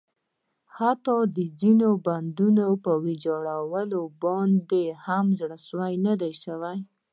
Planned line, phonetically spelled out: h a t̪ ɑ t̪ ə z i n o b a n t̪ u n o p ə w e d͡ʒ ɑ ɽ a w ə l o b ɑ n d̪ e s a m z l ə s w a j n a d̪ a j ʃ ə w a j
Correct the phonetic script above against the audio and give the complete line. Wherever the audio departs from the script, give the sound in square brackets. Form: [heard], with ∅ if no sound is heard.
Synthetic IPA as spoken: h a t̪ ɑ [d̪] ə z i n o b a n [d̪] u n o p ə w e d͡ʒ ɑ ɽ a w ə l o b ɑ n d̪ e [h] a m z [ɽ] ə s w a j n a d̪ a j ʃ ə w a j